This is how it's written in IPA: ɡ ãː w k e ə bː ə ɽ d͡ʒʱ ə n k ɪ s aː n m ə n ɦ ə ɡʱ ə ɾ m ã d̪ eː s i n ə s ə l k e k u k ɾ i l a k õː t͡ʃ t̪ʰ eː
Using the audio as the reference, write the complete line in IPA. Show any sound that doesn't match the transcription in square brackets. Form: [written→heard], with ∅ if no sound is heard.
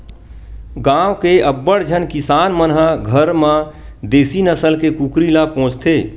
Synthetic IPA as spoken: ɡ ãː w k e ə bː ə ɽ d͡ʒʱ ə n k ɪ s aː n m ə n ɦ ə ɡʱ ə ɾ m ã d̪ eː s i n ə s ə l k e k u k ɾ i l a [k→p] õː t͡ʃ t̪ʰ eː